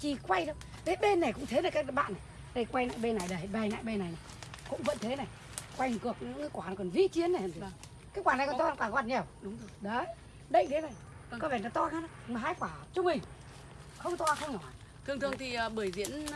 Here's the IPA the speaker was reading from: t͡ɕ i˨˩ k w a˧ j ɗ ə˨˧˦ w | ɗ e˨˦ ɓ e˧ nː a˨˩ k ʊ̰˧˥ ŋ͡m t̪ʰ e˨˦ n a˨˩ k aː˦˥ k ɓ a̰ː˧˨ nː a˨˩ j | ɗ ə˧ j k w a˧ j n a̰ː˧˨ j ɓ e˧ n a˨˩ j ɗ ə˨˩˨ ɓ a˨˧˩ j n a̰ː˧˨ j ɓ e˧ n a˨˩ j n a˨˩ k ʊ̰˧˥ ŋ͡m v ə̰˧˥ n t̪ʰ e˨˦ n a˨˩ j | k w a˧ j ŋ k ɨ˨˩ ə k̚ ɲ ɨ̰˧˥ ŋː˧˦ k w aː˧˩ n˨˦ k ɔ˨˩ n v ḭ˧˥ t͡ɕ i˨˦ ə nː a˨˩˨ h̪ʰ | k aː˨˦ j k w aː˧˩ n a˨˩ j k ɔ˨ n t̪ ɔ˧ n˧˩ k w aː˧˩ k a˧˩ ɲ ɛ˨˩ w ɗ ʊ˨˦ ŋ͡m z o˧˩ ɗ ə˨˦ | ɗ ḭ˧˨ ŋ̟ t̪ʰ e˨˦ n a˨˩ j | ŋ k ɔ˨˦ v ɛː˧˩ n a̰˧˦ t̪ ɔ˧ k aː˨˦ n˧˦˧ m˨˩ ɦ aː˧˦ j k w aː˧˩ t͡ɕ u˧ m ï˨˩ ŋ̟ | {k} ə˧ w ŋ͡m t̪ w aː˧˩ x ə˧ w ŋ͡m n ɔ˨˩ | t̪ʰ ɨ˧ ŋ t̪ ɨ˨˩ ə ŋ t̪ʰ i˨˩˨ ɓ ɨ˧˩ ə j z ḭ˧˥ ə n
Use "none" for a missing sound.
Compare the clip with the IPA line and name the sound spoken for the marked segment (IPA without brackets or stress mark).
x